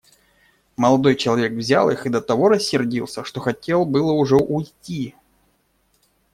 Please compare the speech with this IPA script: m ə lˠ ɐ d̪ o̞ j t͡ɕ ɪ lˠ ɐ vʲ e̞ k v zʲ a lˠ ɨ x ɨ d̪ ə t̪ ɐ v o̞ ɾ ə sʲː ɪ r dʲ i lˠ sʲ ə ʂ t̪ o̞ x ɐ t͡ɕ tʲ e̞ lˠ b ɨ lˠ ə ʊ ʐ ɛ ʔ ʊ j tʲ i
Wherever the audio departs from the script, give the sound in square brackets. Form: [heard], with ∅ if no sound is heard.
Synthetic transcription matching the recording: m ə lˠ ɐ d̪ o̞ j t͡ɕ ɪ lˠ ɐ vʲ e̞ k v zʲ a lˠ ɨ x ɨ d̪ ə t̪ ɐ v o̞ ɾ ə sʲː ɪ r dʲ i lˠ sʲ ə ʂ t̪ o̞ x ɐ [∅] tʲ e̞ lˠ b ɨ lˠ ə ʊ ʐ ɛ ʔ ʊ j tʲ i